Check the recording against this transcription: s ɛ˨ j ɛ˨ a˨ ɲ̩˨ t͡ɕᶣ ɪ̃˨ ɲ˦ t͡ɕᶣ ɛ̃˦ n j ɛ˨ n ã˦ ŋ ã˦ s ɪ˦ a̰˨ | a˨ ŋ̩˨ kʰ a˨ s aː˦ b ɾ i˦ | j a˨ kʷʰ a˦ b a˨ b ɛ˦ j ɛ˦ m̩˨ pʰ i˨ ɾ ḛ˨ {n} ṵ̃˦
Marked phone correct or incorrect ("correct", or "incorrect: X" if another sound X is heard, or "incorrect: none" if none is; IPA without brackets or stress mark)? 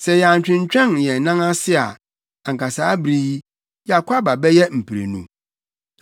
correct